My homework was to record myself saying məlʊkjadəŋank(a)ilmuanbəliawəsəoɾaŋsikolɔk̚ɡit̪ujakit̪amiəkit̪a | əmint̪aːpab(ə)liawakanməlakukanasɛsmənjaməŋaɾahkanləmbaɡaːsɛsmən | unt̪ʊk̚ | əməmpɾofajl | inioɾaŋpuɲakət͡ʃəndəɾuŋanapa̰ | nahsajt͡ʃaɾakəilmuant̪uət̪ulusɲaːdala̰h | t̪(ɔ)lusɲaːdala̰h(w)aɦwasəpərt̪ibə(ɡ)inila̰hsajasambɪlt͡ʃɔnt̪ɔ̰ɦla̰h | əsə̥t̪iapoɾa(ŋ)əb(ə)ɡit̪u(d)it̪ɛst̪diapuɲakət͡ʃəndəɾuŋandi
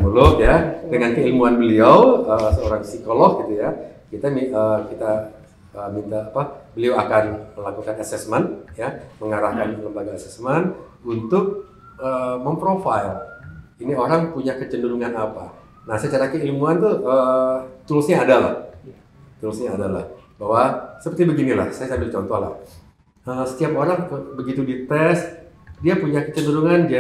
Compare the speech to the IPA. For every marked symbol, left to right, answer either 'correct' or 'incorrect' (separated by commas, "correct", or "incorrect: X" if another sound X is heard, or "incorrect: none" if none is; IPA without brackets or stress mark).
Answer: incorrect: ə, correct, incorrect: u, incorrect: b, correct, correct, correct, correct